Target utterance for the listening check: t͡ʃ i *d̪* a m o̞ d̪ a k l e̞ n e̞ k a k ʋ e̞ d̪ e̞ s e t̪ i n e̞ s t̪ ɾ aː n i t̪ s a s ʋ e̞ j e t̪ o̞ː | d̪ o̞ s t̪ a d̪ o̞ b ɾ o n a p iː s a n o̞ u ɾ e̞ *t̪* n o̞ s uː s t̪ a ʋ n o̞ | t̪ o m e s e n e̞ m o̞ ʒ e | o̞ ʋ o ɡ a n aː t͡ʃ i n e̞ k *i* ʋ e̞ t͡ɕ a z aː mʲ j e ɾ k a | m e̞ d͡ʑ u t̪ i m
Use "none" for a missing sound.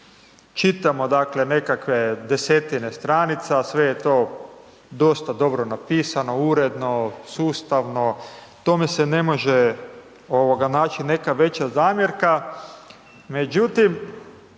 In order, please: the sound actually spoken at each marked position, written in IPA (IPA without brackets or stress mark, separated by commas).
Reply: t̪, d̪, a